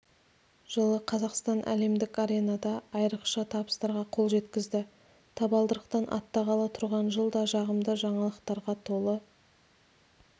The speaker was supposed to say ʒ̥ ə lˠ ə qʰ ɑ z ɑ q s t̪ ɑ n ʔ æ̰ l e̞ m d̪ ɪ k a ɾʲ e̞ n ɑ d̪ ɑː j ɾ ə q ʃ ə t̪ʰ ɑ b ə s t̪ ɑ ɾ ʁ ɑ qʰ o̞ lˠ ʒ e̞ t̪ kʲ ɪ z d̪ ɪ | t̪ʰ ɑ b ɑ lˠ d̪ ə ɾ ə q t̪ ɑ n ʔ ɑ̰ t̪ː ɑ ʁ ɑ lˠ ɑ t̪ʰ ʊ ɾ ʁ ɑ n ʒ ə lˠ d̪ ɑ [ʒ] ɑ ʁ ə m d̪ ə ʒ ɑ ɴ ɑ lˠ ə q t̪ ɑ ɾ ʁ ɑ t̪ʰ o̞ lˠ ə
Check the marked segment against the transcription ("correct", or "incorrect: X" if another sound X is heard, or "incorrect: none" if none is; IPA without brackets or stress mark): correct